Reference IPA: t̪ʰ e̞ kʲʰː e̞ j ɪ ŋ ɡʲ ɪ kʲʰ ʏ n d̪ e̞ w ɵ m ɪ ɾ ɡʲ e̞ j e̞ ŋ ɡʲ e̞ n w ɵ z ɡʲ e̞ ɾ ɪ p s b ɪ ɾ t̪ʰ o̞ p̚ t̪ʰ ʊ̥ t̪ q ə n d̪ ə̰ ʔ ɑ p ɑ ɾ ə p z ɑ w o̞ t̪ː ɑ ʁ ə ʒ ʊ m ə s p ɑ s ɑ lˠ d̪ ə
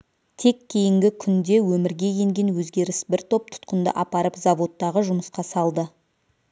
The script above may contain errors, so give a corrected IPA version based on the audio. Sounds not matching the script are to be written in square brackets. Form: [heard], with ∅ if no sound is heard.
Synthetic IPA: t̪ʰ e̞ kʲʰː e̞ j ɪ ŋ ɡʲ ɪ kʲʰ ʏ n d̪ e̞ w ɵ m ɪ ɾ ɡʲ e̞ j e̞ ŋ ɡʲ e̞ n w ɵ z ɡʲ e̞ ɾ ɪ [∅] s b ɪ ɾ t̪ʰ o̞ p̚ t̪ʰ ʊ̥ t̪ q ə n d̪ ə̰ ʔ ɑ p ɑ ɾ ə p z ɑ [v] o̞ t̪ː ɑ ʁ ə ʒ ʊ m ə s [q] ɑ s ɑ lˠ d̪ ə